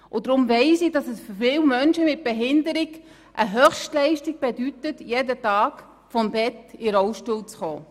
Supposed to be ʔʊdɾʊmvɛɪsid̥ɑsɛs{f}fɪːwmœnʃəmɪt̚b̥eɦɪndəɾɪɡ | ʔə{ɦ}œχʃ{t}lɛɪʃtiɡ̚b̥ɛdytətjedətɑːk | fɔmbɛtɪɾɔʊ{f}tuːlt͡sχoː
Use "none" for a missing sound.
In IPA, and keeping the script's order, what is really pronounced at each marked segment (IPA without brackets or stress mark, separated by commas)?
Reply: f, ɦ, t, ʃ